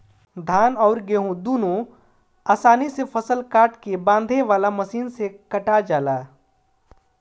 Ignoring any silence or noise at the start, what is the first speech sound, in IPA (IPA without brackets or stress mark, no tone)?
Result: d̪ʱ